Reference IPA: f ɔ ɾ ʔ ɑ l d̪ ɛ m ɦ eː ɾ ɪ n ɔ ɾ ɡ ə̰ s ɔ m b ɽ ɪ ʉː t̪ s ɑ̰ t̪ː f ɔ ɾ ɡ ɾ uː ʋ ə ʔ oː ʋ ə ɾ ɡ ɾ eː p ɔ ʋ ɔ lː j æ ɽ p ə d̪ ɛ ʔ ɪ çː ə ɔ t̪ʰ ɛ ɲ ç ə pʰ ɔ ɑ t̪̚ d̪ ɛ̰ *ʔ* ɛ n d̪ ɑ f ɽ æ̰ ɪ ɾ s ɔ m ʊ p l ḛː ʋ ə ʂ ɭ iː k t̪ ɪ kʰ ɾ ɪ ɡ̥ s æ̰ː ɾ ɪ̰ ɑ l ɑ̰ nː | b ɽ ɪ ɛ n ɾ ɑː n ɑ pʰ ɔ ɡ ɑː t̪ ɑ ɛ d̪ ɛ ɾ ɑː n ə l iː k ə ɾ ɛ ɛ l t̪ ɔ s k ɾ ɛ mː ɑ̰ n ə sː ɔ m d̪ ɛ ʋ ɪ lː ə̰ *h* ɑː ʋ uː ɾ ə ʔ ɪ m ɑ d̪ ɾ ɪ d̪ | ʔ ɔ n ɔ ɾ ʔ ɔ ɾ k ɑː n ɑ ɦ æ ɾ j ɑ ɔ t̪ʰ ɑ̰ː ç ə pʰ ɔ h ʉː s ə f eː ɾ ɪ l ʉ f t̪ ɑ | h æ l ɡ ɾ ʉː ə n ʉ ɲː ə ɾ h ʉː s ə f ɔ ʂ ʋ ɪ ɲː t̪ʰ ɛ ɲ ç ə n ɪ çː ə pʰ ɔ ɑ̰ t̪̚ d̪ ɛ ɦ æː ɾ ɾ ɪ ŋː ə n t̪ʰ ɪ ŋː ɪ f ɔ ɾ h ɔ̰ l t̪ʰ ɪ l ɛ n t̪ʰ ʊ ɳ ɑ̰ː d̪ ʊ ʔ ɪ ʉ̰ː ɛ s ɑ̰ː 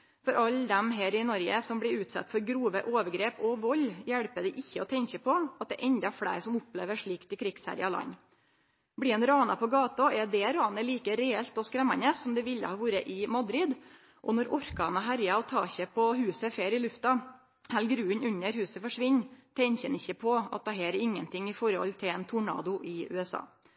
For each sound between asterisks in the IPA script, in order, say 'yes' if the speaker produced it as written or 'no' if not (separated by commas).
yes, yes